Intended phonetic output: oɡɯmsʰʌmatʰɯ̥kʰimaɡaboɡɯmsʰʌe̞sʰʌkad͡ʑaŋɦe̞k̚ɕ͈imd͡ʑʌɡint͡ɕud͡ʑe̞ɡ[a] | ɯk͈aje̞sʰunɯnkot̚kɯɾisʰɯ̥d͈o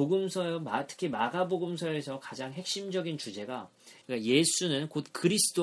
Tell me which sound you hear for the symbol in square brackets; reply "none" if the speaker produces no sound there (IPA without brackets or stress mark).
a